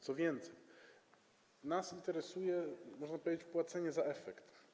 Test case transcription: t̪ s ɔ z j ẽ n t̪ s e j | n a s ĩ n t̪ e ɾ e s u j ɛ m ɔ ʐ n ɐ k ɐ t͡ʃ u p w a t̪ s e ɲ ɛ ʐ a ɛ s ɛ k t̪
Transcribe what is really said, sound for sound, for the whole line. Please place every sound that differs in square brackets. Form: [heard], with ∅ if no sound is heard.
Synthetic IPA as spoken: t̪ s ɔ [v] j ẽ n t̪ s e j | n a s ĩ n t̪ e ɾ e s u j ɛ m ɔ [ʒ] n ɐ [p] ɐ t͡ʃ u p w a t̪ s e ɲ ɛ [z] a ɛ [f] ɛ k t̪